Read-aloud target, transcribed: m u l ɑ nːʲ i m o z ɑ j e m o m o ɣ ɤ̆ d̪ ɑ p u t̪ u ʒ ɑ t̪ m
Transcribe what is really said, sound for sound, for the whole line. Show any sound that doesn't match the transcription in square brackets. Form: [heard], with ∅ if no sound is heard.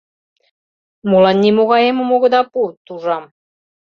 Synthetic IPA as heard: m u l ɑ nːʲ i m o [ɣ] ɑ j e m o m o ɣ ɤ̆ d̪ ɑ p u t̪ u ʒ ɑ [∅] m